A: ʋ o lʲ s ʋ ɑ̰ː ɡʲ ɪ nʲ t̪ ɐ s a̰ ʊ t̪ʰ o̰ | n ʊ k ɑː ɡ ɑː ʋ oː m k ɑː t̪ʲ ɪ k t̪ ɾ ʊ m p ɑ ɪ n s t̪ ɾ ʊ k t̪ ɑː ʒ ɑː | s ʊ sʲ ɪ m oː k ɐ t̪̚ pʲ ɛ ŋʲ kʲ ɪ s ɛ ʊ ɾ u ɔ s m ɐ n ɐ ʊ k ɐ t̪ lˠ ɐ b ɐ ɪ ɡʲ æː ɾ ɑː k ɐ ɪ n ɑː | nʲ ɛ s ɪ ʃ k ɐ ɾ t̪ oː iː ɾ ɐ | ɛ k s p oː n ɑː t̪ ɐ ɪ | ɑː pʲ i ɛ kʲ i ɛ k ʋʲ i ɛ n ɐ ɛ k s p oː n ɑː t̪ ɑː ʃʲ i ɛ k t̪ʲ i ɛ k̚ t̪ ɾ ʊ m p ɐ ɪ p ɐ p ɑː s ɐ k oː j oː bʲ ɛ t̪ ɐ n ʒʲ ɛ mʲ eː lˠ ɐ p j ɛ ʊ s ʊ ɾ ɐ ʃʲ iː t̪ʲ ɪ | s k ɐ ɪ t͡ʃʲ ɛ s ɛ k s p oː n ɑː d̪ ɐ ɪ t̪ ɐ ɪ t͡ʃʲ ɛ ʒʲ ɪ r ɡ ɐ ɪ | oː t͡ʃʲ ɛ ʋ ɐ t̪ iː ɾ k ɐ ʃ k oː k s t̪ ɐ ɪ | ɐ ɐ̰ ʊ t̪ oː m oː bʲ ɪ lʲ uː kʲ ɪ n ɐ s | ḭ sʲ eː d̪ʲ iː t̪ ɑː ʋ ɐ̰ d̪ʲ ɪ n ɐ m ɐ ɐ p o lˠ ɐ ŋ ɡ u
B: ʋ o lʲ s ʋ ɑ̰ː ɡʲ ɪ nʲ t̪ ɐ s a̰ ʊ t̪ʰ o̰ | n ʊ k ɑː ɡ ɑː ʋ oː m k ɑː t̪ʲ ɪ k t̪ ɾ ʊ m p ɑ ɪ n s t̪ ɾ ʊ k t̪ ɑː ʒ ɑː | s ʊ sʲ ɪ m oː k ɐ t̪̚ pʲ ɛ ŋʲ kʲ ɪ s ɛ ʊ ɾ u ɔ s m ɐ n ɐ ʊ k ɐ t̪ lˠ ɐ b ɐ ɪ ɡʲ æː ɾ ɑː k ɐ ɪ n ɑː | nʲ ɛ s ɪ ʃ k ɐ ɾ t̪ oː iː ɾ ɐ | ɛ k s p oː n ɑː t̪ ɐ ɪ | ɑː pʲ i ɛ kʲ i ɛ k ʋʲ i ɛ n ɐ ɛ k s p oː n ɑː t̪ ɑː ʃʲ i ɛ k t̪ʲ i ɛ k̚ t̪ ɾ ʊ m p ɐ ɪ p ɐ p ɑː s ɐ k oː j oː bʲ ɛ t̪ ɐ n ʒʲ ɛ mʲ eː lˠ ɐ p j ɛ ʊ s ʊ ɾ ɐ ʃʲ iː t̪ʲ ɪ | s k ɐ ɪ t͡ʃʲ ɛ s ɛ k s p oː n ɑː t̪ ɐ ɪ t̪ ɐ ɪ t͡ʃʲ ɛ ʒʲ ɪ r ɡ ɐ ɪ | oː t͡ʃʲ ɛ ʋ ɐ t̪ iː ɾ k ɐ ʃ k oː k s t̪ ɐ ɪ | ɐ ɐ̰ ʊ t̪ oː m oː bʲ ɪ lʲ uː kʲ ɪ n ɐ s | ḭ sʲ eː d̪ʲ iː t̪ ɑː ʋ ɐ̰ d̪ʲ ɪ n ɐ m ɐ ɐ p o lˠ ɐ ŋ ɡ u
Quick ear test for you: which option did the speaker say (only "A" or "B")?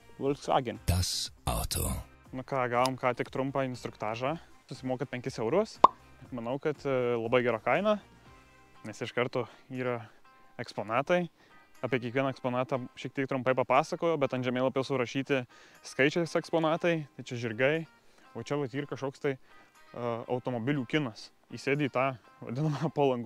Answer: B